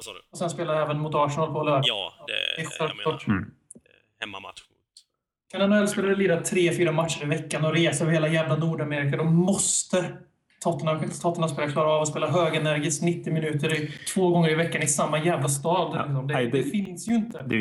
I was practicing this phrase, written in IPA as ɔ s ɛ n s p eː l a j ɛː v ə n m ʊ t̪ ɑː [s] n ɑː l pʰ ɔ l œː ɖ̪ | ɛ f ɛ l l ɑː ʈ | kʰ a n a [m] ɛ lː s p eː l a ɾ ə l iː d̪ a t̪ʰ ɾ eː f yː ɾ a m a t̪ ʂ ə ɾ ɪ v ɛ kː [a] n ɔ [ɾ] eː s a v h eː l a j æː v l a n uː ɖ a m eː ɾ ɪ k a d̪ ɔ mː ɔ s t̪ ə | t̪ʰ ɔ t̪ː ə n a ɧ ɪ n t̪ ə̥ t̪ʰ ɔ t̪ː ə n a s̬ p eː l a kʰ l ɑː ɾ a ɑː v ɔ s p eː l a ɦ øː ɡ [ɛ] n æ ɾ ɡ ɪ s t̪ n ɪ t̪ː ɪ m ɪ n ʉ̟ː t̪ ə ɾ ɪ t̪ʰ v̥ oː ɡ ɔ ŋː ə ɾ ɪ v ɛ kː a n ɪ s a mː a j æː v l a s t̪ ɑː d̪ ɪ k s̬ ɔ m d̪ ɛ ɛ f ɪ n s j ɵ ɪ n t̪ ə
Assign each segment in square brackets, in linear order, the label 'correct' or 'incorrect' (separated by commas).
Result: incorrect, incorrect, correct, correct, correct